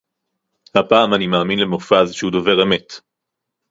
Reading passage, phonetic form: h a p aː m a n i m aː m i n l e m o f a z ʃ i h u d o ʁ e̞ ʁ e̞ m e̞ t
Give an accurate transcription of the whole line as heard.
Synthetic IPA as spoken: h a p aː m a n i m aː m i n l e m o f a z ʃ e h u d o v e̞ ʁ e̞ m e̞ t